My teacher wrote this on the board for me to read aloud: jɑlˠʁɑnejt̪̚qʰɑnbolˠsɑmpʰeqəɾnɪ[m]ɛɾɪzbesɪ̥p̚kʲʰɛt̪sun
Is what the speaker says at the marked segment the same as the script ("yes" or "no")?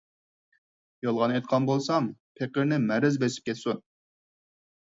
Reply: yes